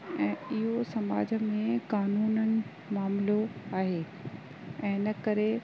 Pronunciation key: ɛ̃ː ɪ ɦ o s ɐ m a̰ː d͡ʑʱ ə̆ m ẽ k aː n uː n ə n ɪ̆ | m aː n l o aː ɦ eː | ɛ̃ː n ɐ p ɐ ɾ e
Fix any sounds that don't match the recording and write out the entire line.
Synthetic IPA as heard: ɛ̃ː ɪ ɦ o s ɐ m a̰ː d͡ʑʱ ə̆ m ẽ k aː n uː n ə n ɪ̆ | m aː m l o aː ɦ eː | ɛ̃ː n ɐ k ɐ ɾ e